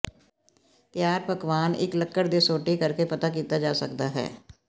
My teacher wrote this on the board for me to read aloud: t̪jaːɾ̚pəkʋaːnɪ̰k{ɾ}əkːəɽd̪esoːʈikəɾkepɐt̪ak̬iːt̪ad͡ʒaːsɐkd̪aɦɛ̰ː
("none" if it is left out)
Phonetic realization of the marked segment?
l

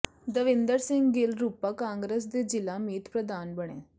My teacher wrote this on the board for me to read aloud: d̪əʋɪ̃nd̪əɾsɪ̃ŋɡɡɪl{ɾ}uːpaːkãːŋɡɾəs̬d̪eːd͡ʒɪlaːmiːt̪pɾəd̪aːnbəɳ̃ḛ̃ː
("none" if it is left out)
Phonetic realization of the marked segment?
ɾ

